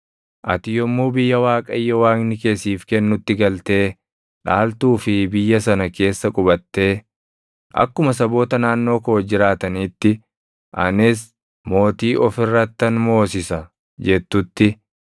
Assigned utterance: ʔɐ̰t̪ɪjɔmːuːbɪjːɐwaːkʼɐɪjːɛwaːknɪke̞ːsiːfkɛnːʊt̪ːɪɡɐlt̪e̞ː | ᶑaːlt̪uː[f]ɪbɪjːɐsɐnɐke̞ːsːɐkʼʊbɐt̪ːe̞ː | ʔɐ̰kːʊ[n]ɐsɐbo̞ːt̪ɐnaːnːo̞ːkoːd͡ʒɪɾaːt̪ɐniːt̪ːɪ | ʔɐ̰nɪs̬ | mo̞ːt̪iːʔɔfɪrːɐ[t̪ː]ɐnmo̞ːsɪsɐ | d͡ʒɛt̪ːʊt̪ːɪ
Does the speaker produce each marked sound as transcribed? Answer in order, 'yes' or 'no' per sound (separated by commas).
yes, no, yes